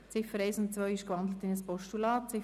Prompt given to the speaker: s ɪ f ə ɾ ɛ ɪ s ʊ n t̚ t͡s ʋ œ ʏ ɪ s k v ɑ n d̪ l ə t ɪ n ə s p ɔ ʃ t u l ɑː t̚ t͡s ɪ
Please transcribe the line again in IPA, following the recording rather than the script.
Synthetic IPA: t͡s ɪ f ə ɾ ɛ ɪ s ʊ n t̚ t͡s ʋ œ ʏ ɪ ʃ k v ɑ n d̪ l ə t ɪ n ə s p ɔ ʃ t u l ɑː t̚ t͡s ɪ